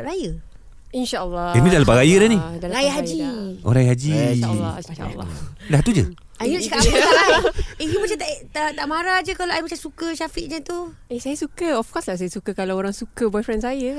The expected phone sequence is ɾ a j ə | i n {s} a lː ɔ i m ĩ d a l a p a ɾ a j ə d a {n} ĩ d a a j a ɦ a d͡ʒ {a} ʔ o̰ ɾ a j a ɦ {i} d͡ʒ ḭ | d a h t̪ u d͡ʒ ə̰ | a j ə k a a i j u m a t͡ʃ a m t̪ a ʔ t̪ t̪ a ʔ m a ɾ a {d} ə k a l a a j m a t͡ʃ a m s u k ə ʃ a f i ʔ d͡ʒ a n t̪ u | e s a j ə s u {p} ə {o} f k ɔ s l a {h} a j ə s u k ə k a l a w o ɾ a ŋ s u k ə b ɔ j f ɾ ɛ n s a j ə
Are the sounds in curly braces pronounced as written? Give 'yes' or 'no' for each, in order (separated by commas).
no, yes, no, no, no, no, no, no